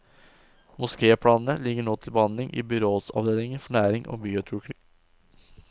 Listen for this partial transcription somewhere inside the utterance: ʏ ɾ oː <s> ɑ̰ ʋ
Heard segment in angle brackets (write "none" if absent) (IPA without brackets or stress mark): s